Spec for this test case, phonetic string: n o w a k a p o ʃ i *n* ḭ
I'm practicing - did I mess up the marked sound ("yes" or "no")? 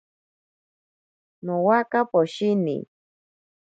no